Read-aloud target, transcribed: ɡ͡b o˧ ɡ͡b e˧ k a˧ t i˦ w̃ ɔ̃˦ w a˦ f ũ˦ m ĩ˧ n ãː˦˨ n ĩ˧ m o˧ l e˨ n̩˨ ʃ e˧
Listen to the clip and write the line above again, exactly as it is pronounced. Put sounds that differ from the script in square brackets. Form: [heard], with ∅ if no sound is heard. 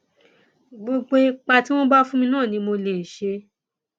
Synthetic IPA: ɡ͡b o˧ ɡ͡b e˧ [k͡p] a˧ t i˦ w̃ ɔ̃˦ [b] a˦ f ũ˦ m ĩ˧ n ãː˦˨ n ĩ˧ m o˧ l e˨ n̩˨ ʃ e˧